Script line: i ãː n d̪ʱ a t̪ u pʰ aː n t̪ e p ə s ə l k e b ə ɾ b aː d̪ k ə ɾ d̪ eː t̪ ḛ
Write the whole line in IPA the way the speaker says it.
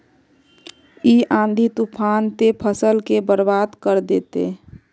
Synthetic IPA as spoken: i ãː n d̪ʱ i t̪ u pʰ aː n t̪ e pʰ ə s ə l k e b ə ɾ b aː d̪ k ə ɾ d̪ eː t̪ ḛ